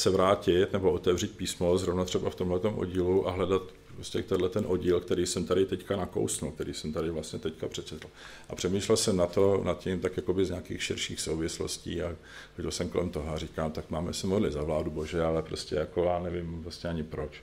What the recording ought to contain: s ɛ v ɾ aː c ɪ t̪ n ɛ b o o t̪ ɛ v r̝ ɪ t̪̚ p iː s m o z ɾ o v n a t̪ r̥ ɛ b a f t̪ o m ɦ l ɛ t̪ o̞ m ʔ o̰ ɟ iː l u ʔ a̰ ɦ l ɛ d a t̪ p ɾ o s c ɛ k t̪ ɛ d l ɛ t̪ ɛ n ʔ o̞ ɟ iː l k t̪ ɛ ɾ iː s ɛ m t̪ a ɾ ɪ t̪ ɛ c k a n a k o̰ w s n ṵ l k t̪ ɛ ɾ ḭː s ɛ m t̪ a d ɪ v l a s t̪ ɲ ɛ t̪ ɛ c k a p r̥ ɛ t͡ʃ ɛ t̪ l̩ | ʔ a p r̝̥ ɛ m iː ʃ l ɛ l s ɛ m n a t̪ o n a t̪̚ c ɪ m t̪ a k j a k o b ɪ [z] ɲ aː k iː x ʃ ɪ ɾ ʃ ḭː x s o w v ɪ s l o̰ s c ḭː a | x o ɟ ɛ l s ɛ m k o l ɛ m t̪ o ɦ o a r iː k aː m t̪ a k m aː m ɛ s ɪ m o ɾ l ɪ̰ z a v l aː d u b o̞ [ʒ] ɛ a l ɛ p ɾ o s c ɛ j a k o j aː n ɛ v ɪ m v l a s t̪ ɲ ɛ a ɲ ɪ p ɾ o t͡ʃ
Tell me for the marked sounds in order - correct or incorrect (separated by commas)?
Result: correct, correct